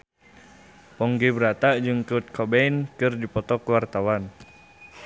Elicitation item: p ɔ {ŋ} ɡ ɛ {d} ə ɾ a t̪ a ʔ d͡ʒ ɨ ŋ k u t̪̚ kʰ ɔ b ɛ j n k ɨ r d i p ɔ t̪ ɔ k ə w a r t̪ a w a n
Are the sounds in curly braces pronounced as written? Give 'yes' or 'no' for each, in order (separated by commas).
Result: yes, no